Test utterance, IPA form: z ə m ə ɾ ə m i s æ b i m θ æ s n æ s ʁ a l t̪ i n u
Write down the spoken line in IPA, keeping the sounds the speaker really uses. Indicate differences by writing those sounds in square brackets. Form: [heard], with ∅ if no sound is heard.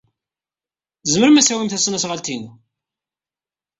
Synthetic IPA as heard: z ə m ə ɾ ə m [æ] s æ [w] i m θ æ s n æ s ʁ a l t̪ i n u